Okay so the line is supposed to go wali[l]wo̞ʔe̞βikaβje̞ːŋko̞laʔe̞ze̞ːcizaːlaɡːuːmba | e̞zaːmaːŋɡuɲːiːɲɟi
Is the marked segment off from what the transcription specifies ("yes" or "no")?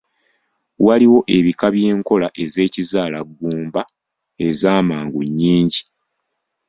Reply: yes